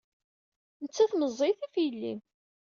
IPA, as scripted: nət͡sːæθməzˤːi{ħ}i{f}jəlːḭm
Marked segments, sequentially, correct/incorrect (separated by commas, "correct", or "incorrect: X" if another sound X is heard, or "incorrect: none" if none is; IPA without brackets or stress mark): incorrect: θ, correct